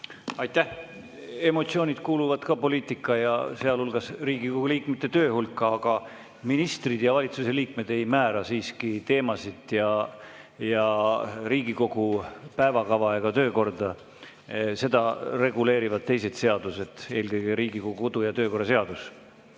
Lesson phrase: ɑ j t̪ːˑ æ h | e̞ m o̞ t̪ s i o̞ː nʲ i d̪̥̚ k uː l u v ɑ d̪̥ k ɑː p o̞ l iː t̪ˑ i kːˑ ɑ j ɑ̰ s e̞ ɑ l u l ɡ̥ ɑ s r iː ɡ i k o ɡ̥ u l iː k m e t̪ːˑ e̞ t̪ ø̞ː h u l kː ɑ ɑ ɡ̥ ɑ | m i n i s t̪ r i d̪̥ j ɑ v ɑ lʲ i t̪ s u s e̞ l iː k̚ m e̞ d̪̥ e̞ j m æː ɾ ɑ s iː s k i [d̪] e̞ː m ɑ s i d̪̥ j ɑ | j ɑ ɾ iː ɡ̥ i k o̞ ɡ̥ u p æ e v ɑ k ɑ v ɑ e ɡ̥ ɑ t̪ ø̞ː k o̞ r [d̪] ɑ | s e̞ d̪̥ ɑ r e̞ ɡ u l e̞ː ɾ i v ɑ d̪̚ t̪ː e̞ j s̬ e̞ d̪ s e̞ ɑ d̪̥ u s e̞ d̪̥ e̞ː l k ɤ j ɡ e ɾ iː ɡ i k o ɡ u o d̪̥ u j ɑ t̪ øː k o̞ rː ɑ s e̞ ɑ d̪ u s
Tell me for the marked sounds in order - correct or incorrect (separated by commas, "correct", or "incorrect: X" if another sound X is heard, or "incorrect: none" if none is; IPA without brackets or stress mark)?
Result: incorrect: t̪, correct